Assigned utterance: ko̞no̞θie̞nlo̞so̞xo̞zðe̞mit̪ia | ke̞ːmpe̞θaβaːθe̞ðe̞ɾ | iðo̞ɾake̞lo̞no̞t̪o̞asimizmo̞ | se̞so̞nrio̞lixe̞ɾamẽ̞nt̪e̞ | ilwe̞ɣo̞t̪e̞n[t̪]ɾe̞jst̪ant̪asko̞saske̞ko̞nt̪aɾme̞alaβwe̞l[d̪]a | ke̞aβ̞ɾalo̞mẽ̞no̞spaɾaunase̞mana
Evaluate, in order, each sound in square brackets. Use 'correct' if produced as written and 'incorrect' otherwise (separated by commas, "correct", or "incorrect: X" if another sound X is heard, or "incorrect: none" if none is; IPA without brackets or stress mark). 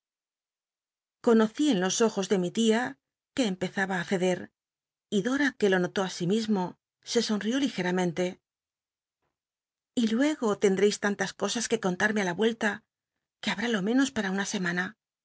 incorrect: d̪, incorrect: t̪